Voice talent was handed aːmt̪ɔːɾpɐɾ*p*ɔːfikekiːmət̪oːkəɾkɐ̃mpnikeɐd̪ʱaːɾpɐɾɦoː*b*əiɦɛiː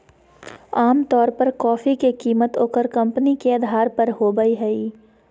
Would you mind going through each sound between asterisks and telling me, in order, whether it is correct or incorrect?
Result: incorrect: k, correct

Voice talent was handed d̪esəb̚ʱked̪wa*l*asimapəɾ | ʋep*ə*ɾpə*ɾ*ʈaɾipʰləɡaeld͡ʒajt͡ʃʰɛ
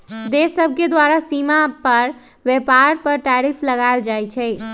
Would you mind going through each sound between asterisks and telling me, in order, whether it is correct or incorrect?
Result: incorrect: ɾ, incorrect: a, correct

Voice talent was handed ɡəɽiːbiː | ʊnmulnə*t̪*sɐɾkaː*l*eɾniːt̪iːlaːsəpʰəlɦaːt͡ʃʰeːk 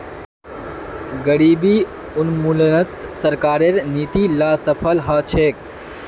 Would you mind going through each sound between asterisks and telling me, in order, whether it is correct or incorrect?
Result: correct, incorrect: ɾ

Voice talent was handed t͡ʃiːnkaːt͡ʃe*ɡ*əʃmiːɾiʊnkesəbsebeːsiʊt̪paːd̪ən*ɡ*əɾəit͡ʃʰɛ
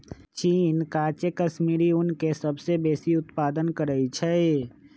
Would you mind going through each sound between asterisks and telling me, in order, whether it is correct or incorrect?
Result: incorrect: k, incorrect: k

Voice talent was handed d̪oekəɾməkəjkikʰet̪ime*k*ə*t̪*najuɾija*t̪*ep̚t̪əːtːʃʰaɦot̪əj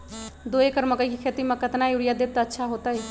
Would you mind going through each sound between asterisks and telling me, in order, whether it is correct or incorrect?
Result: correct, correct, incorrect: d̪

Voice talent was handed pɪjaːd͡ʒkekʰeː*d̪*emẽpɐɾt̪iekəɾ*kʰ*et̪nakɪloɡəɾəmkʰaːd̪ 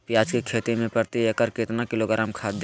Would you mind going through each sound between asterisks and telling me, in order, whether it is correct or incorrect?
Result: incorrect: t̪, incorrect: k

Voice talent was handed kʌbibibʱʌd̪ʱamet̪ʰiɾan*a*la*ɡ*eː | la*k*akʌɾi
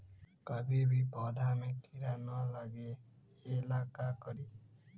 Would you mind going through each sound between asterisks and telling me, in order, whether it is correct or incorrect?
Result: incorrect: ʌ, correct, correct

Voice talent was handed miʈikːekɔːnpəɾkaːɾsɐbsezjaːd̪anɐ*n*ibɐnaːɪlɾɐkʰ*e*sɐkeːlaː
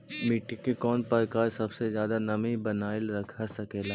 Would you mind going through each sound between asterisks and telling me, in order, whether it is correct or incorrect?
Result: incorrect: m, incorrect: a

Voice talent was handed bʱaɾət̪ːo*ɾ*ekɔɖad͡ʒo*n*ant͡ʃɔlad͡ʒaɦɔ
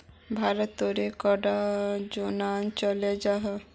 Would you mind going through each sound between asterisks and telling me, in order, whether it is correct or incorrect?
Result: correct, correct

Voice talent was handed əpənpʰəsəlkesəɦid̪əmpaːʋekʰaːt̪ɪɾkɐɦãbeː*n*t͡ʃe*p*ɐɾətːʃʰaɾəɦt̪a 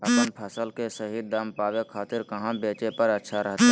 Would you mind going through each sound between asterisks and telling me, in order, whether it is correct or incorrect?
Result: incorrect: none, correct

